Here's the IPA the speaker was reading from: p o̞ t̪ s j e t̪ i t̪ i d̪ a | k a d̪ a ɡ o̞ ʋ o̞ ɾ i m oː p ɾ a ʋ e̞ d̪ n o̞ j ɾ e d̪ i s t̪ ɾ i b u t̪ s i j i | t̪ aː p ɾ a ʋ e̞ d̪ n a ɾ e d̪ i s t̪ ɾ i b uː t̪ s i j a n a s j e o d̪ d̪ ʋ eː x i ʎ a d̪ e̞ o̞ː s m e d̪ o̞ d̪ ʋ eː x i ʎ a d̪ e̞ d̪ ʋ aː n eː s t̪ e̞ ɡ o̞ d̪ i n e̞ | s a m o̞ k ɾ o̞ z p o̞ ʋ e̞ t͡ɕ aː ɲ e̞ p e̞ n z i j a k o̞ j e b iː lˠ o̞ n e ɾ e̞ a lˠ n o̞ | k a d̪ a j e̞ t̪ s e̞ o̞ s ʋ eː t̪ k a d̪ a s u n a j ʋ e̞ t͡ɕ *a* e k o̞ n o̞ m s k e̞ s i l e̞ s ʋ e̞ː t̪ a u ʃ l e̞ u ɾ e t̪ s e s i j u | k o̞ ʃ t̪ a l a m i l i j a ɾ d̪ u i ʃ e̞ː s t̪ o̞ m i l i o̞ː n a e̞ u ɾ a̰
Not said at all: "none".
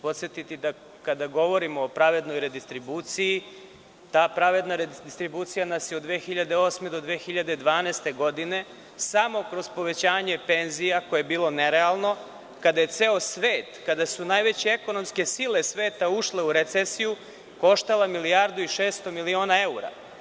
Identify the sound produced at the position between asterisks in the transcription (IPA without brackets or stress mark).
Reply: e